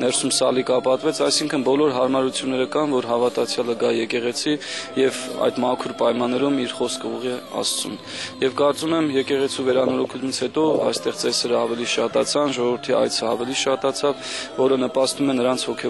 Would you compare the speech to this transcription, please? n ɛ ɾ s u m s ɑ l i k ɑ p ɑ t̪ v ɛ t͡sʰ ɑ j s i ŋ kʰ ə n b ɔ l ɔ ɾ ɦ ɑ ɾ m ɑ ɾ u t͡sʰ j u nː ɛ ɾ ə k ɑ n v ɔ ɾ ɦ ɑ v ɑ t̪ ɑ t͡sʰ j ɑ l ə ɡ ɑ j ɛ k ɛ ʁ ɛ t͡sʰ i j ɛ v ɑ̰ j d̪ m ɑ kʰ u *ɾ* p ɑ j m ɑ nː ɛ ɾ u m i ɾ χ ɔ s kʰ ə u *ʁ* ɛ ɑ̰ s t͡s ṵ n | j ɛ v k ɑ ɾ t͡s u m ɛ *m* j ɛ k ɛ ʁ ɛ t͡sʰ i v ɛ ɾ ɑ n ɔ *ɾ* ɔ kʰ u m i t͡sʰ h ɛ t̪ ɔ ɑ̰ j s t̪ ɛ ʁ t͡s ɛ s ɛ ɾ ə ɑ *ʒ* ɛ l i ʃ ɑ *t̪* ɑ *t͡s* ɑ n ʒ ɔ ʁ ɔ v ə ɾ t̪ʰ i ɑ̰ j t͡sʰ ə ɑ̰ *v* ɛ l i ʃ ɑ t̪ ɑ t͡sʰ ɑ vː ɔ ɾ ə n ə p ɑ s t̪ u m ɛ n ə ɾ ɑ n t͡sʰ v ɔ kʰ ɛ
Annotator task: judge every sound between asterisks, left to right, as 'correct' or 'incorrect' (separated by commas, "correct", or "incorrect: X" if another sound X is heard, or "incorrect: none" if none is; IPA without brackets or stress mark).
correct, correct, correct, correct, incorrect: v, correct, incorrect: t͡sʰ, correct